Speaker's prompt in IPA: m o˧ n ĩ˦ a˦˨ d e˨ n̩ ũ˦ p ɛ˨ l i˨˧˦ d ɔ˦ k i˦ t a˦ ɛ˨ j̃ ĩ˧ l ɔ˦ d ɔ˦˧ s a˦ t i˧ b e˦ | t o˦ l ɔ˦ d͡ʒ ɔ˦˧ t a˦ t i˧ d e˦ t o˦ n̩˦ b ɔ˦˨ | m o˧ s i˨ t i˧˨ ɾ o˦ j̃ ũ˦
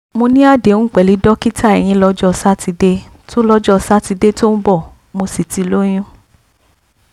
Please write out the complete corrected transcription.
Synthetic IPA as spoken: m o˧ n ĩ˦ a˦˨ d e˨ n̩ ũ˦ k͡p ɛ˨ l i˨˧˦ d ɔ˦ k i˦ t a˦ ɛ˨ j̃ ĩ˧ l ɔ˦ d͡ʒ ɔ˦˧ s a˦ t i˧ d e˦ | t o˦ l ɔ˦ d͡ʒ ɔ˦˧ s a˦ t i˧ d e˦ t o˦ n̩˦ b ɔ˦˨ | m o˧ s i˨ t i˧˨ l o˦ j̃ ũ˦